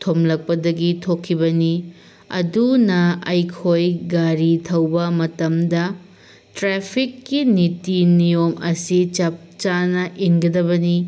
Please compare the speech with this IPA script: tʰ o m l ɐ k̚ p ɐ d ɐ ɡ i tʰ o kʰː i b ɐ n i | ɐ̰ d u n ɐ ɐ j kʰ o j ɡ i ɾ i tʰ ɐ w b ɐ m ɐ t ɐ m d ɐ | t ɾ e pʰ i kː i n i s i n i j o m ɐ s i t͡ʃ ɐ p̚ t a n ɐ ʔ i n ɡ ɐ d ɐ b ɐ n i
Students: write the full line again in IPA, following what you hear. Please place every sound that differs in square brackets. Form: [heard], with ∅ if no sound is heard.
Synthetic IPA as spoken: tʰ o m l ɐ k̚ p ɐ d ɐ ɡ i tʰ o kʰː i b ɐ n i | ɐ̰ d u n ɐ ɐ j kʰ o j ɡ [a] ɾ i tʰ ɐ w b ɐ m ɐ t ɐ m d ɐ | t ɾ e pʰ i kː i n i [t] i n i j o m ɐ s i t͡ʃ ɐ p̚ [t͡ʃ] a n ɐ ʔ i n ɡ ɐ d ɐ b ɐ n i